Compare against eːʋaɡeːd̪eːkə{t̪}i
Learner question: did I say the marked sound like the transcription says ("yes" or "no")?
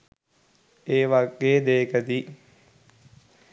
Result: no